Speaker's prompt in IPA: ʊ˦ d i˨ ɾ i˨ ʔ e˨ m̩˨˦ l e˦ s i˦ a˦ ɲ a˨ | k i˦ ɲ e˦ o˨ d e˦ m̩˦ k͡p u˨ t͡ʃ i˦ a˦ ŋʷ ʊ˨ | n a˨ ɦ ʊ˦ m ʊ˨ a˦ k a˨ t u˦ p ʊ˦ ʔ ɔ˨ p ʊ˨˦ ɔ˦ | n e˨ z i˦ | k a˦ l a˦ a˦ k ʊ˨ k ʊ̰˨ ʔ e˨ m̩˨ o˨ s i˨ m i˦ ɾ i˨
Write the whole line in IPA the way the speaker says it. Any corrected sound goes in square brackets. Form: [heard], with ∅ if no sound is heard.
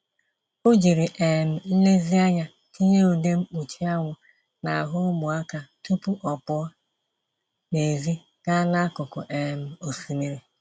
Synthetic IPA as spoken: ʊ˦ [d͡ʒ] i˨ ɾ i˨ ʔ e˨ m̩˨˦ l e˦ [z] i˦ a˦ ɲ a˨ | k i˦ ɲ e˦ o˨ d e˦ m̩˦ k͡p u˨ t͡ʃ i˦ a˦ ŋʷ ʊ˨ | n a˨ ɦ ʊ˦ m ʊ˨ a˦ k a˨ t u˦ p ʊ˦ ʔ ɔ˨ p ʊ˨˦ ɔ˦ | n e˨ z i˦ | k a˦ l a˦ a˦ k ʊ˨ k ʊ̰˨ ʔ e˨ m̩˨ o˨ s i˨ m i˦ ɾ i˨